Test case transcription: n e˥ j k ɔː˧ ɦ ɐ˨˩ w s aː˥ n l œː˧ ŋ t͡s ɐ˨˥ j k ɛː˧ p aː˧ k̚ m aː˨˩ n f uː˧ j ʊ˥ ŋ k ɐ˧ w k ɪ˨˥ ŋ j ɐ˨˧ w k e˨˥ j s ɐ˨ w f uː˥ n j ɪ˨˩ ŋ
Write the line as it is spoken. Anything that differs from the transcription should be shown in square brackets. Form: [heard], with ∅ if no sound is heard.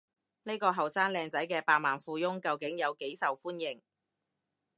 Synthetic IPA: n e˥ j k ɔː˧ ɦ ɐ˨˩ w s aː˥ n l [ɛː˧] ŋ t͡s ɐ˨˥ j k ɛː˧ p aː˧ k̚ m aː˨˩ n f uː˧ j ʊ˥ ŋ k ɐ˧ w k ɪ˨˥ ŋ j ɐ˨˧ w k e˨˥ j s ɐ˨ w f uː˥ n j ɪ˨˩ ŋ